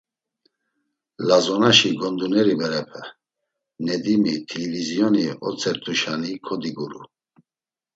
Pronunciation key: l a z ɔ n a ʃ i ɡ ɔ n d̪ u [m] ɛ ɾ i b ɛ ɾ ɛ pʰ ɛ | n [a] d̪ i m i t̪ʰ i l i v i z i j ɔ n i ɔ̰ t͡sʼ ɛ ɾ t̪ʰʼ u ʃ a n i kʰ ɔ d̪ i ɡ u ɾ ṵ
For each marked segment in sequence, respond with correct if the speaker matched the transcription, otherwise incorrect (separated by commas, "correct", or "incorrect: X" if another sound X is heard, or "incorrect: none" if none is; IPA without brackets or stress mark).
incorrect: n, incorrect: ɛ